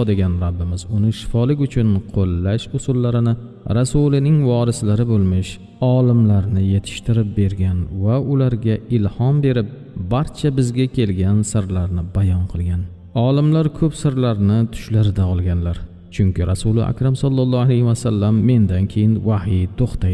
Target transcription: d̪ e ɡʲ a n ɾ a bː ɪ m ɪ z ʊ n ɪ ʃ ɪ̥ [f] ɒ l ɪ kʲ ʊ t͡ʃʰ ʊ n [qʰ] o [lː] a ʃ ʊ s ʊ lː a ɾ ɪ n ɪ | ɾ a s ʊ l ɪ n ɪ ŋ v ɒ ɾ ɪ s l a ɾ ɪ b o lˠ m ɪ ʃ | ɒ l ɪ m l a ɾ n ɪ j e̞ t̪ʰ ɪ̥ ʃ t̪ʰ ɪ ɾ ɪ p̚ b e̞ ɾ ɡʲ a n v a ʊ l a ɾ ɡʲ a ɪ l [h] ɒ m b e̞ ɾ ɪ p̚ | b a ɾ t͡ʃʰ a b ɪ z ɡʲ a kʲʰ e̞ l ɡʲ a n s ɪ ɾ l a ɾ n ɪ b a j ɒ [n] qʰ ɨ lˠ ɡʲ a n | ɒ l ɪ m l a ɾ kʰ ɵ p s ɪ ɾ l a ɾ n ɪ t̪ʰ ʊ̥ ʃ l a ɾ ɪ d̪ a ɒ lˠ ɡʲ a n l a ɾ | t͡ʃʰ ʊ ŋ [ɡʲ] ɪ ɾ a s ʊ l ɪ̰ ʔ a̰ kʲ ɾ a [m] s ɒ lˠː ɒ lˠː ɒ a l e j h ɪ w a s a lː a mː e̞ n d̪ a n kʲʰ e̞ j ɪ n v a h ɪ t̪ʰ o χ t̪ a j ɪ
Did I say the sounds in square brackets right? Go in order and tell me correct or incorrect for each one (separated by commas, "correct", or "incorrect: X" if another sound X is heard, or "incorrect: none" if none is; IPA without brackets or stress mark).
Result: correct, correct, correct, correct, correct, incorrect: kʲ, correct